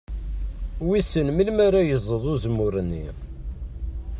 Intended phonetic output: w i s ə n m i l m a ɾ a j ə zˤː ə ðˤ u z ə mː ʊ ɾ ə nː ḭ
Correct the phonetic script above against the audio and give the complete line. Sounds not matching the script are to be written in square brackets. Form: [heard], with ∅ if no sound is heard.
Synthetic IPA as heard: w i s ə n m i l m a ɾ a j ə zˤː ə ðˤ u z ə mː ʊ ɾ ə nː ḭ